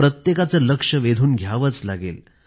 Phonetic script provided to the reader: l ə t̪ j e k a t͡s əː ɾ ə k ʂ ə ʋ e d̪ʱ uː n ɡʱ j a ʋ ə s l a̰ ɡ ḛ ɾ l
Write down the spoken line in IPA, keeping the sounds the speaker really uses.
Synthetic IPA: ɾ ə t̪ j e k a t͡s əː l ə k ʂ ə ʋ e d̪ʱ uː n ɡʱ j a ʋ ə t͡s l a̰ ɡ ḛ l